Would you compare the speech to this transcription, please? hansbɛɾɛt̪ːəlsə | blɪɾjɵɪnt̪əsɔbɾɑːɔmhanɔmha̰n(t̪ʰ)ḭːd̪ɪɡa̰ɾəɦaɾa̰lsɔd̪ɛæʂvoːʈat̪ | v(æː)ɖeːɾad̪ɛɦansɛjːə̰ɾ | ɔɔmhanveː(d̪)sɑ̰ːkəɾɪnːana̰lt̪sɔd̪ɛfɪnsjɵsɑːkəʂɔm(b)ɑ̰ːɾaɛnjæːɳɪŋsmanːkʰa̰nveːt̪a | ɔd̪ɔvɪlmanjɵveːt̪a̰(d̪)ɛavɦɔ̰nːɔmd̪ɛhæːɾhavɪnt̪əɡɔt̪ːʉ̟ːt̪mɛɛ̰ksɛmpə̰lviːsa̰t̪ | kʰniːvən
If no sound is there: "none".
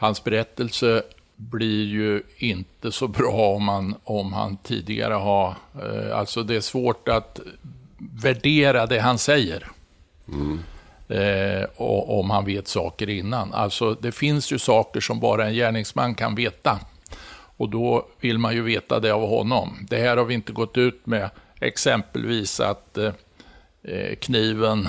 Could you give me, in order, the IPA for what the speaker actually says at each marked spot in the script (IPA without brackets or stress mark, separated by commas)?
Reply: t̪ʰ, æ, t̪, b, d̪